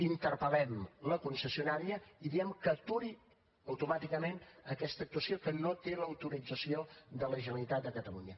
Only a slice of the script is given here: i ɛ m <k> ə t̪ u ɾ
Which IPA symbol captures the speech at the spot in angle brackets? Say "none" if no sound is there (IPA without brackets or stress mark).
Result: k